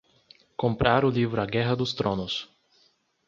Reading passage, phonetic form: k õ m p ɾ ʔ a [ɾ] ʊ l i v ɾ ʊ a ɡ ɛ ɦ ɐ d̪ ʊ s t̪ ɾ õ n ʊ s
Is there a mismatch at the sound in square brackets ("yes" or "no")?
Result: no